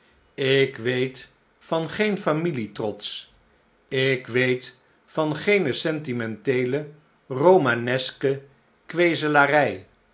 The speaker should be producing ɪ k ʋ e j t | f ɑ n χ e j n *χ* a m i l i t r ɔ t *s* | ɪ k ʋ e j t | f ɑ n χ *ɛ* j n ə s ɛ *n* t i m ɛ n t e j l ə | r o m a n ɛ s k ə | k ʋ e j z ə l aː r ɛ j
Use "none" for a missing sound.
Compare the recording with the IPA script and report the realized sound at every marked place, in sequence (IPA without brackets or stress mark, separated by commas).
f, s, e, n